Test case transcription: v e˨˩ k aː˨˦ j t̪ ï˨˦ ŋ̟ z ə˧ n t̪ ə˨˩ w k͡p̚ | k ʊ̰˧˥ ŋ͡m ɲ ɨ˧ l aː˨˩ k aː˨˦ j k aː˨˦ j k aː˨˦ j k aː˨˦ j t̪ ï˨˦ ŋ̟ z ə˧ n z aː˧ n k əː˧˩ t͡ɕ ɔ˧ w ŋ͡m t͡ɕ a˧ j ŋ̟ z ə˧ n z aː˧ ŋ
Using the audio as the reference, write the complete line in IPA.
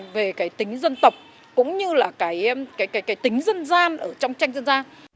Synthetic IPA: v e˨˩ k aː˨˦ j t̪ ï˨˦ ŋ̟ z ə˧ n t̪ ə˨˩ w k͡p̚ | k ʊ̰˧˥ ŋ͡m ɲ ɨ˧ l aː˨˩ k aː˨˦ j k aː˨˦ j k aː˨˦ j k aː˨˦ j t̪ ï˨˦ ŋ̟ z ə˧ n z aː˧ n ʔ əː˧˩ t͡ɕ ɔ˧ w ŋ͡m t͡ɕ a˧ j ŋ̟ z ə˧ n z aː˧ n